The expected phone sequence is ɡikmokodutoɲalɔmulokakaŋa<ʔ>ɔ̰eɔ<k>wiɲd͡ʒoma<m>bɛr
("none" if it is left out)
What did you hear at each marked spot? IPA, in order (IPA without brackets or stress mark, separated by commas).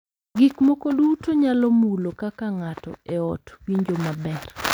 t, t, none